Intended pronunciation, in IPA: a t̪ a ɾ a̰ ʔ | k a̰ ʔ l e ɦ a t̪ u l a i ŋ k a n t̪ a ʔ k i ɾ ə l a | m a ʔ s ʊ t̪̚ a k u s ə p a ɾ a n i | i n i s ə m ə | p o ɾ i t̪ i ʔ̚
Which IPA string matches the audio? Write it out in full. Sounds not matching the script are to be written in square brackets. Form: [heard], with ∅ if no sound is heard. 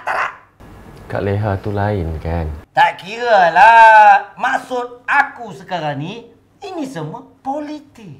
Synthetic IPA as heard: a t̪ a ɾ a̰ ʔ | k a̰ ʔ l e ɦ a t̪ u l a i [n] k a n t̪ a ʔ k i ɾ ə l a | m a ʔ s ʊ t̪̚ a k u s ə [k] a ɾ a n i | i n i s ə m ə | p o [l] i t̪ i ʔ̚